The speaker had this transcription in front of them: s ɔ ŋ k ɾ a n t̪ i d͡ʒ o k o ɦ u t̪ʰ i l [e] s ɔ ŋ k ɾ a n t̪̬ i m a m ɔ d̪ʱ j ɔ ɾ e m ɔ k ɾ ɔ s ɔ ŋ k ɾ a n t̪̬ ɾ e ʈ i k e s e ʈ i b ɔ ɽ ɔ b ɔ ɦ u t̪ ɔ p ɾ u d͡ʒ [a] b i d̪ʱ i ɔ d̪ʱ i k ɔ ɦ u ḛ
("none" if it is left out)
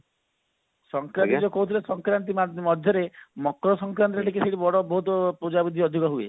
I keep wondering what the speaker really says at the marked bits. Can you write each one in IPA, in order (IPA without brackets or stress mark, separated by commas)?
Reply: e, a